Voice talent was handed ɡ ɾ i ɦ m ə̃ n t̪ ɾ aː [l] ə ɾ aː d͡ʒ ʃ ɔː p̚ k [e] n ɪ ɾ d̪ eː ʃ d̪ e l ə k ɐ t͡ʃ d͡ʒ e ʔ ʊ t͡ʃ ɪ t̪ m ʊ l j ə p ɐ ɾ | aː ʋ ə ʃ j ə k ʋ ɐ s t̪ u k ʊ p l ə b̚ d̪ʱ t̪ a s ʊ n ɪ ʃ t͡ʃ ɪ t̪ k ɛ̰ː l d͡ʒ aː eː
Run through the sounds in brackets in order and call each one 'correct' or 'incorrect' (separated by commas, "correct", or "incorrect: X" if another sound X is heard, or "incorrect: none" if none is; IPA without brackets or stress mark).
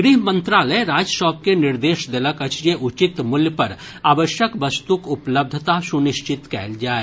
correct, correct